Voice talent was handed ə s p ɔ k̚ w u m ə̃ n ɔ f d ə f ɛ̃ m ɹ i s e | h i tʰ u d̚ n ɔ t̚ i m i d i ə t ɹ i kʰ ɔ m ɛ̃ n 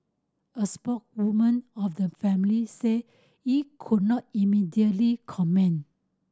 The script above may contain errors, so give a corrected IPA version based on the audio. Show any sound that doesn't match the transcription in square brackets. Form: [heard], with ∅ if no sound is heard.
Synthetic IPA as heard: ə s p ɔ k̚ w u m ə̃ n ɔ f d ə f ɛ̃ m [l] i s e | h i [kʰ] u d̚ n ɔ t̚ i m i d i ə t [l] i kʰ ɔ m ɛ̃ n